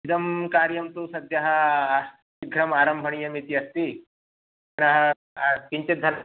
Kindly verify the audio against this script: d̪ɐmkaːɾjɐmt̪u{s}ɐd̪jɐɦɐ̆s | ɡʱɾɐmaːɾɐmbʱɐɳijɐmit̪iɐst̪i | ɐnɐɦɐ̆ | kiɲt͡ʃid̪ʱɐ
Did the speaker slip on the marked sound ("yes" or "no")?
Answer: no